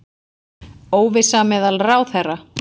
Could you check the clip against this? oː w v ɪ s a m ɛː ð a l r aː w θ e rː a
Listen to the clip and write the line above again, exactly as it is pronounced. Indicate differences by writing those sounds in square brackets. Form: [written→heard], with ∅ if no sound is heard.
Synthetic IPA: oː w v ɪ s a m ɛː ð a l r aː w θ [e→ɛ] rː a